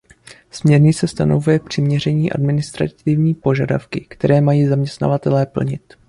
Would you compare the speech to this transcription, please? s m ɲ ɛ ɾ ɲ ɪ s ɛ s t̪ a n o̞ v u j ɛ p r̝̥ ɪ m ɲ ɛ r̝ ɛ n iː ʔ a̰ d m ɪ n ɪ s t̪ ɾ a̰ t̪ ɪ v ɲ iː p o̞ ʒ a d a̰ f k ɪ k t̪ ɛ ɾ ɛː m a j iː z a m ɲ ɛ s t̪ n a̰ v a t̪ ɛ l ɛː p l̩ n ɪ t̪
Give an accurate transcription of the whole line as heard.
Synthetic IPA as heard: s m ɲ ɛ ɾ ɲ ɪ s ɛ s t̪ a n o̞ v u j ɛ p r̝̥ ɪ m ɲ ɛ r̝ ɛ ɲ iː ʔ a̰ d m ɪ n ɪ s t̪ ɾ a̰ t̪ ɪ v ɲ iː p o̞ ʒ a d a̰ f k ɪ k t̪ ɛ ɾ ɛː m a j iː z a m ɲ ɛ s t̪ n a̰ v a t̪ ɛ l ɛː p l̩ ɲ ɪ t̪